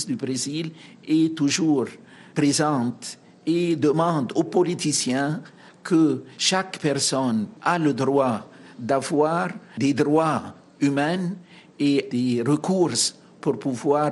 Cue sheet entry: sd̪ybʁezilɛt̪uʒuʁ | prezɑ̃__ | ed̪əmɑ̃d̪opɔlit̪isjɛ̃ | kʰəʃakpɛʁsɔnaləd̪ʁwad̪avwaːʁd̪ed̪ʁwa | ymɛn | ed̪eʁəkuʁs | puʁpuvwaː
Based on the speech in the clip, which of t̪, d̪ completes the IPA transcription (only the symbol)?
t̪